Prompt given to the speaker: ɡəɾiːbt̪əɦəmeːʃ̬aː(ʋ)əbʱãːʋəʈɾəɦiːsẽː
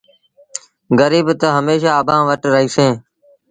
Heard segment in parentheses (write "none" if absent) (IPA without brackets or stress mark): none